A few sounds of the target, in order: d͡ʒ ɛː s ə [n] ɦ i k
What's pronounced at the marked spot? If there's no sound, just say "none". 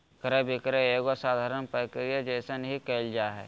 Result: n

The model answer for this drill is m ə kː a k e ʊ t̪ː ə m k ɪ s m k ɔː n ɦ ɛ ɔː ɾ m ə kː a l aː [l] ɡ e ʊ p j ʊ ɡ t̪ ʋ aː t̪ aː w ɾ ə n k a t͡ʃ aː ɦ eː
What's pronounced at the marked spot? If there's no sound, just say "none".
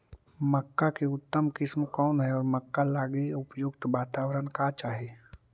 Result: none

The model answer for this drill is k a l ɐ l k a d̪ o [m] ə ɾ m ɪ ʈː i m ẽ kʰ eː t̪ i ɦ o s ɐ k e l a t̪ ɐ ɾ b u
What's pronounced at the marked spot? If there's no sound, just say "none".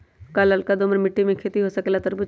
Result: m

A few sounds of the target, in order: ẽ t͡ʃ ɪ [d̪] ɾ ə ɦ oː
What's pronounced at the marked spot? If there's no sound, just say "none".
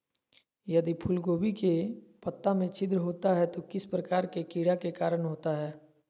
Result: d̪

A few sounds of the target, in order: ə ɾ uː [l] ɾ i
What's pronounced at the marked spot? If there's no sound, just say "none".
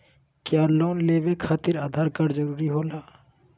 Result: none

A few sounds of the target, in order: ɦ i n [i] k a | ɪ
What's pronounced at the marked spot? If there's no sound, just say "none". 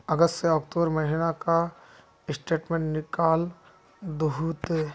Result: a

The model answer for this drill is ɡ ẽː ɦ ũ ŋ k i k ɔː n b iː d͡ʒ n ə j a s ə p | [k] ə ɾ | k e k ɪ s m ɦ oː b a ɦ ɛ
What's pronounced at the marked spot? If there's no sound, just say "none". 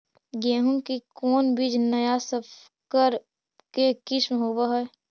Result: k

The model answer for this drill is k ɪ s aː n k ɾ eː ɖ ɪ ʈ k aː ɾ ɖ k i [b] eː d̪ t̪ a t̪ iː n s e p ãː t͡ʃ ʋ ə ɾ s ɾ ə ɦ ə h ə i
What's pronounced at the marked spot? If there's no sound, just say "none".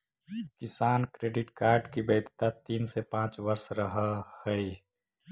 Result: b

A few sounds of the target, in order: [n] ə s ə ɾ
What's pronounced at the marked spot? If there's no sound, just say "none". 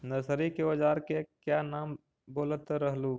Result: n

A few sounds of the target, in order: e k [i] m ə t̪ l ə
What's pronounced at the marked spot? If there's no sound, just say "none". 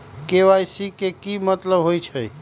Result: i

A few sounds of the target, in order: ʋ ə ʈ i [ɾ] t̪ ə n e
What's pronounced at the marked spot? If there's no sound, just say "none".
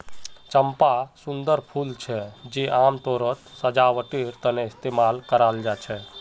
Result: ɾ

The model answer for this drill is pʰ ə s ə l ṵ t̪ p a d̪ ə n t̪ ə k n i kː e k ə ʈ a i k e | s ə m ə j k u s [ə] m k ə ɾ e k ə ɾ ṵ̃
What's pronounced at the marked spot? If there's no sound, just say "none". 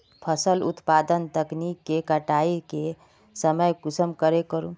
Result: ə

